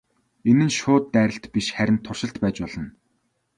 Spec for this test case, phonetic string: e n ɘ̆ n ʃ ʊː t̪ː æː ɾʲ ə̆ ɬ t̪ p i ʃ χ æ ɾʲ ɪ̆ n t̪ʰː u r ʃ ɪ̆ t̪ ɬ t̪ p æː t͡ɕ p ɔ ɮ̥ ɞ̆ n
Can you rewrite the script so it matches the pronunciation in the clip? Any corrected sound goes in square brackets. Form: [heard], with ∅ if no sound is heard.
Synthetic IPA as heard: e n ɘ̆ n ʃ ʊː t̪ː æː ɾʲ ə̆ ɬ t̪ p i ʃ χ æ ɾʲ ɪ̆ n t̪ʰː [ʊ] r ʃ ɪ̆ [∅] ɬ t̪ p æː t͡ɕ p ɔ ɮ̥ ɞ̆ n